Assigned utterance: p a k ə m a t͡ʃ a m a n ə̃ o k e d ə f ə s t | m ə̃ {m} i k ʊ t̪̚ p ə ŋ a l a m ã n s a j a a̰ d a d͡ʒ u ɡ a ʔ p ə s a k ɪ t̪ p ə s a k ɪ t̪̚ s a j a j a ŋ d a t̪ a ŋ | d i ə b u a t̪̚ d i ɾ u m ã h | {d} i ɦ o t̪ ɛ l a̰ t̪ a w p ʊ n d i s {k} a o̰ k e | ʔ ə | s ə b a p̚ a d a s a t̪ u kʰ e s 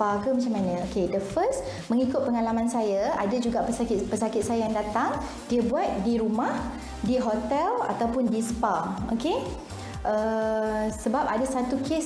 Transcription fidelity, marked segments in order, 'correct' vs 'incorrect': incorrect: ŋ, correct, incorrect: p

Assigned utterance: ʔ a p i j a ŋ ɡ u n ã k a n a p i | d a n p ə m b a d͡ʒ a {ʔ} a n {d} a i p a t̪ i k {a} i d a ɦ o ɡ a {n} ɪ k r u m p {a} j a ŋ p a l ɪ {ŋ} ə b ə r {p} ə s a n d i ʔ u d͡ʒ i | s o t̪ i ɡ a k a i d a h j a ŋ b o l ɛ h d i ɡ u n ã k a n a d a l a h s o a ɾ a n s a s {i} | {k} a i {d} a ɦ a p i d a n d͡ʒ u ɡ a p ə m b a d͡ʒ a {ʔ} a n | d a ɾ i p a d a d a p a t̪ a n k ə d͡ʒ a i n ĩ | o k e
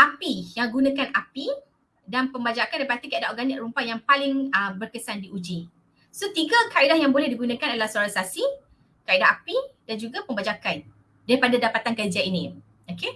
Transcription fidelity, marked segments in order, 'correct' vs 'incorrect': incorrect: k, correct, correct, correct, correct, correct, incorrect: k, correct, correct, correct, incorrect: k

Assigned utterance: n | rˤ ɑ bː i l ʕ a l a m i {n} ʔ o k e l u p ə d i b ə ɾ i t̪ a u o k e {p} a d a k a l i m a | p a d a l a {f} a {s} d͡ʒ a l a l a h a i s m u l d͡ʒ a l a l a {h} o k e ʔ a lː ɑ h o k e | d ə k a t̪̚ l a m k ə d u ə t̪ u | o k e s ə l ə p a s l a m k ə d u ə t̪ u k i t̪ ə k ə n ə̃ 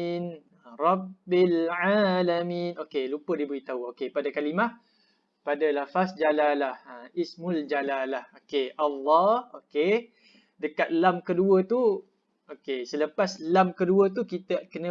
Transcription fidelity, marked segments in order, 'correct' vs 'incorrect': correct, correct, correct, correct, correct

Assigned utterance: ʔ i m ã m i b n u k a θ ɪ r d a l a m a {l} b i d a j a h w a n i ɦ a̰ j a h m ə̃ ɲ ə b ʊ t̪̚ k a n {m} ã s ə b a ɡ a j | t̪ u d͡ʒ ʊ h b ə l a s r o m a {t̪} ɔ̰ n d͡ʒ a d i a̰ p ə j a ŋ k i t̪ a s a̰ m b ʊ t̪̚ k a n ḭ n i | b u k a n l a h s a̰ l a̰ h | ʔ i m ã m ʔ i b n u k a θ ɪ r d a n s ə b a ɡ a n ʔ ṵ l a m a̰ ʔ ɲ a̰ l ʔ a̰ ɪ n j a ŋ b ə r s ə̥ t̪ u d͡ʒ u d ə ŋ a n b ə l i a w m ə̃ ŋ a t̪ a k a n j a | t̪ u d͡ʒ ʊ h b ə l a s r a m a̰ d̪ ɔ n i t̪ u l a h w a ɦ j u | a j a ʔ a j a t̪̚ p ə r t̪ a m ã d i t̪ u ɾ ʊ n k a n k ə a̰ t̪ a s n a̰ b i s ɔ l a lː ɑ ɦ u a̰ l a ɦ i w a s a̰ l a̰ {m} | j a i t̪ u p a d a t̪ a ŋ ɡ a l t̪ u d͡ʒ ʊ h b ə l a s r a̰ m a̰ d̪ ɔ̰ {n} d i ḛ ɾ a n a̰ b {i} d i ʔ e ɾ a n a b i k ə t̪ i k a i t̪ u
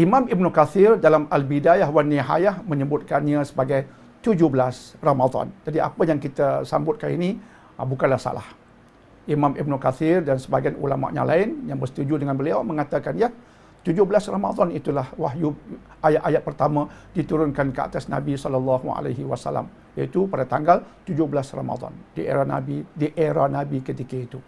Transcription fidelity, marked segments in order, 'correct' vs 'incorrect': correct, incorrect: ɲ, incorrect: d̪, correct, correct, correct

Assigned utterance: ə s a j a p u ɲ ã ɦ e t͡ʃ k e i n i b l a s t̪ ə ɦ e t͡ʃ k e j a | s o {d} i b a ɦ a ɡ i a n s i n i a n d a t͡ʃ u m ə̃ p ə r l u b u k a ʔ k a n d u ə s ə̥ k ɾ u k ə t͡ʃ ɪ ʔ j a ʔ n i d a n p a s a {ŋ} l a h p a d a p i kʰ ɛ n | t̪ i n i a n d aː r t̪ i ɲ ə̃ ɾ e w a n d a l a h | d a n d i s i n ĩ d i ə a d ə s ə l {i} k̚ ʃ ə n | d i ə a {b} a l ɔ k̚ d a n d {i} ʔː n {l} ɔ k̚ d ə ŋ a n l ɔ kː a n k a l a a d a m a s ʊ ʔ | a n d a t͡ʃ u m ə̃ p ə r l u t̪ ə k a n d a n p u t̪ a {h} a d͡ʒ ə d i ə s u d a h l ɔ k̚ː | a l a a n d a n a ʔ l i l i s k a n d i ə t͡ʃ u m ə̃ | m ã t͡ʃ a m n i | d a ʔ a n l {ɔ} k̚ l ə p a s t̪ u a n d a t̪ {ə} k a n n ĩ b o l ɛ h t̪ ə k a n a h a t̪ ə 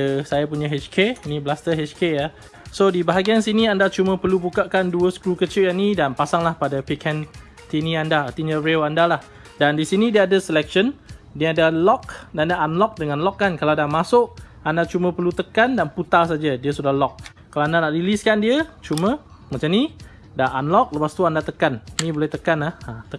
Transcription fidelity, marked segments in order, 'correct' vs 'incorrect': correct, correct, incorrect: ɛ, incorrect: d, incorrect: a, correct, incorrect: s, correct, correct

